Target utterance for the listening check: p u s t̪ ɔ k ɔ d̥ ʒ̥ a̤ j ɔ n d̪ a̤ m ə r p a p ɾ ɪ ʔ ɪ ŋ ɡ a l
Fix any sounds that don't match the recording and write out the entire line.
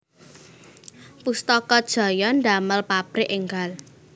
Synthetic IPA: p u s t̪ ɔ k ɔ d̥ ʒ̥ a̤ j ɔ n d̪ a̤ m ə l p a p ɾ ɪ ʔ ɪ ŋ ɡ a l